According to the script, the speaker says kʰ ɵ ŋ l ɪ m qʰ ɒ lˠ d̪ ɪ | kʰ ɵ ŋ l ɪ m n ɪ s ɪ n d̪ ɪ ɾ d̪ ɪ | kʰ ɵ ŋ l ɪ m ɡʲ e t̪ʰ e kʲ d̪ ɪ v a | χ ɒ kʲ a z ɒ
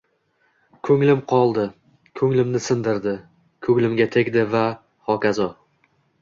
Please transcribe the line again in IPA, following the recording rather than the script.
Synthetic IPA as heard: kʰ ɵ ŋ l ɪ m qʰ ɒ lˠ d̪ ɪ | kʰ ɵ ŋ l ɪ m n ɪ s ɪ n d̪ ɪ ɾ d̪ ɪ | kʰ ɵ ŋ l ɪ m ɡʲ a t̪ʰ e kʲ d̪ ɪ v a | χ ɒ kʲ a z ɒ